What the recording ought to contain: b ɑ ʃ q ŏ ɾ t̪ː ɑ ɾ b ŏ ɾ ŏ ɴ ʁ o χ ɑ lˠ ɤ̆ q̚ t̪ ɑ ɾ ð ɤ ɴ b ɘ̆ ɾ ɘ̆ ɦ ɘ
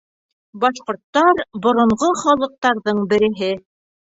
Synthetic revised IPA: b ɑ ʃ q ŏ ɾ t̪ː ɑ ɾ b ŏ ɾ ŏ ɴ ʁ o χ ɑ lˠ ɤ̆ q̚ t̪ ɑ ɾ ð ɤ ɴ b ɘ̆ ɾ ɘ̆ ɦ ɘ